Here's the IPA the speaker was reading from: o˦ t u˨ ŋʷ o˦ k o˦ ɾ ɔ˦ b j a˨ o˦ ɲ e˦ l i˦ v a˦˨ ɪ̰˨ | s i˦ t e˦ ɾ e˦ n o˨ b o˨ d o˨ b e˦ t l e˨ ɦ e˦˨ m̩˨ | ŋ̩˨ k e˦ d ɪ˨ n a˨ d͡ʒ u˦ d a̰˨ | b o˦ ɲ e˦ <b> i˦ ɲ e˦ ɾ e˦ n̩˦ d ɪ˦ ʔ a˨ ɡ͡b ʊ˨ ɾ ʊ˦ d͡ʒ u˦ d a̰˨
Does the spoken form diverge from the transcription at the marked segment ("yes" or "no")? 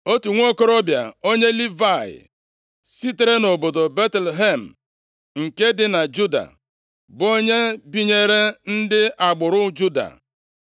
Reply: no